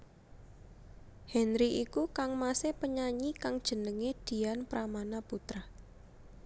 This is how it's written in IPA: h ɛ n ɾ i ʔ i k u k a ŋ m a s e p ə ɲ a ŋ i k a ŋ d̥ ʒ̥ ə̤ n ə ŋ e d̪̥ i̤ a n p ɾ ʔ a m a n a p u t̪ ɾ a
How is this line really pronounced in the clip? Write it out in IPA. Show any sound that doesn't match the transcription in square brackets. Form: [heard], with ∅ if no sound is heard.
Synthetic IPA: h ɛ n ɾ i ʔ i k u k a ŋ m a s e p ə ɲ a [ɲ] i k a ŋ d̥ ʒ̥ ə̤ n ə ŋ e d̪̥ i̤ a n p ɾ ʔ a m a n a p u t̪ ɾ a

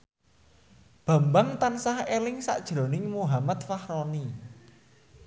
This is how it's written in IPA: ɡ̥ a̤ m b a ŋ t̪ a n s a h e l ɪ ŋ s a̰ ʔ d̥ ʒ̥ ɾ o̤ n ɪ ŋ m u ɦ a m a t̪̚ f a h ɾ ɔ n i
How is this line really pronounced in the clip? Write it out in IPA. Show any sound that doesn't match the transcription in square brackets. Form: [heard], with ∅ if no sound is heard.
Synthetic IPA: [b̥] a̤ m b a ŋ t̪ a n s a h e l ɪ ŋ s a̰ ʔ d̥ ʒ̥ ɾ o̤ n ɪ ŋ m u ɦ a m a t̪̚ f a h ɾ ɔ n i

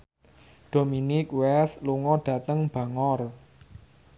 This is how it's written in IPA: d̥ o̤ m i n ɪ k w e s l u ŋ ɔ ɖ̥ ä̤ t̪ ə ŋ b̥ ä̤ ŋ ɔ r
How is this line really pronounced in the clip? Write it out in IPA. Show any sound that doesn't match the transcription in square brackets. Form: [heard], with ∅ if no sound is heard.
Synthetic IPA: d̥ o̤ m i n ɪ k w [ɛ] s l u ŋ ɔ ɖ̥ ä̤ t̪ ə ŋ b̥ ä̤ ŋ ɔ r

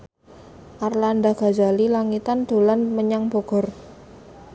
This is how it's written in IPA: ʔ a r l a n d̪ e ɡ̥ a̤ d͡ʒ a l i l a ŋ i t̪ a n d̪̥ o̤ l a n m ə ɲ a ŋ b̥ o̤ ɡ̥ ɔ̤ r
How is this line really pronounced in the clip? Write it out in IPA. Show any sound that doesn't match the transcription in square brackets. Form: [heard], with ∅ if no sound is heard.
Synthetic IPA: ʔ a r l a n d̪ [a] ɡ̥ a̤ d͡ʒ a l i l a ŋ i t̪ a n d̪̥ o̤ l a n m ə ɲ a ŋ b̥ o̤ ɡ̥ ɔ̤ r

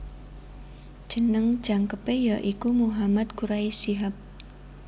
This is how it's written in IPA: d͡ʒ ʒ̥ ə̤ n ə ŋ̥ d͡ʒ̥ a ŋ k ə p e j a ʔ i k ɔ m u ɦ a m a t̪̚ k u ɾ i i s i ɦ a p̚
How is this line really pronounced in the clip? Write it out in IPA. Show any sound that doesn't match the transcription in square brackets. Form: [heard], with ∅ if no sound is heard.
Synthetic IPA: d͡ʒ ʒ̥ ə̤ n ə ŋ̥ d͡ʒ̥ a ŋ k ə p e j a ʔ i k [u] m u ɦ a m a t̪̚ k u ɾ [a] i s i ɦ a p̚

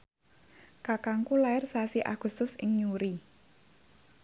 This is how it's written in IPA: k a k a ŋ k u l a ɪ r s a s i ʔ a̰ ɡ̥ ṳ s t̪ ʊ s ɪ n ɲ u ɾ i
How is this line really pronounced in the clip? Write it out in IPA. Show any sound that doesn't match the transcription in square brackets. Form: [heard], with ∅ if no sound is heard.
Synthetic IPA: k a k a ŋ k u l a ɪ r s a s i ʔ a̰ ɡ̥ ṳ s t̪ ʊ s ɪ [ŋ] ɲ u ɾ i

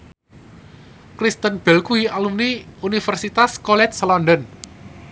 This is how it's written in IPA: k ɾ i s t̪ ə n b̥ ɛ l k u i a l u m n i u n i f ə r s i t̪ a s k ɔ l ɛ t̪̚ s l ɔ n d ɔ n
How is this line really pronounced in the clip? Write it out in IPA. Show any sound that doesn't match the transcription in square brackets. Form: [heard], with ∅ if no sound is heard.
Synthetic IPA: k ɾ i s t̪ ə n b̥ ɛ l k u i a l u m n i u n i f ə r s i t̪ a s k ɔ l ɛ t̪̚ s l ɔ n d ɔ n

